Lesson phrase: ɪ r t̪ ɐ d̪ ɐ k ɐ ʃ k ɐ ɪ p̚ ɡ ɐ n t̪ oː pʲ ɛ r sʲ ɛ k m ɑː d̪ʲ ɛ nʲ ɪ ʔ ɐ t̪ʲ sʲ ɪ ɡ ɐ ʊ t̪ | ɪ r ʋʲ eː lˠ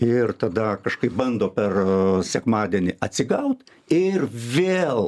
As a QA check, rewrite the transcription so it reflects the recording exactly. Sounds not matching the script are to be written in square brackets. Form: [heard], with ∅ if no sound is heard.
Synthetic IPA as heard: ɪ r t̪ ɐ d̪ ɐ k ɐ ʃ k ɐ ɪ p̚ [b] ɐ n [d̪] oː pʲ ɛ r sʲ ɛ k m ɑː d̪ʲ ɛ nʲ ɪ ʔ ɐ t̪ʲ sʲ ɪ ɡ ɐ ʊ t̪ | ɪ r ʋʲ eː lˠ